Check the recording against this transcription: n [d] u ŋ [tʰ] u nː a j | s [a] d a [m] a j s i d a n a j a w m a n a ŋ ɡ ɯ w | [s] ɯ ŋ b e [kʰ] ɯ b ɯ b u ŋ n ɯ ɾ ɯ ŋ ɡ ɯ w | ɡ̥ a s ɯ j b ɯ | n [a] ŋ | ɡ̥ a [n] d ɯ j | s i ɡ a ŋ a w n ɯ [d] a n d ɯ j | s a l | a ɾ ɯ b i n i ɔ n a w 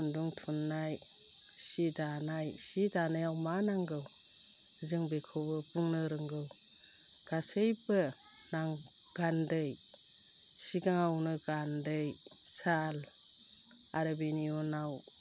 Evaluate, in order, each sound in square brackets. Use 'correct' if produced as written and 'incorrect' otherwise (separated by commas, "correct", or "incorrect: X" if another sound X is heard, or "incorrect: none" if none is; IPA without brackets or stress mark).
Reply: correct, correct, incorrect: i, incorrect: n, incorrect: z, correct, correct, correct, incorrect: ɡ